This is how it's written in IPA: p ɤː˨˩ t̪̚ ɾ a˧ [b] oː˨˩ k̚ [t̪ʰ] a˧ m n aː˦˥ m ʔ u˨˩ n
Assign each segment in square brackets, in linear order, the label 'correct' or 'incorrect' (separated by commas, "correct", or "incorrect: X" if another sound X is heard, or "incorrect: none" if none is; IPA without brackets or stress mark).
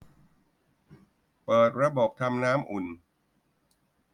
correct, correct